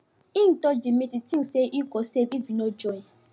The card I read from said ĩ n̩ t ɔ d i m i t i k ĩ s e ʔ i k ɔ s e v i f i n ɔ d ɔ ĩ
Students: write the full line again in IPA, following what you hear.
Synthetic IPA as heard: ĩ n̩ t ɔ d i m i t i t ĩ s e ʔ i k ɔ s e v i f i n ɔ d͡ʒ ɔ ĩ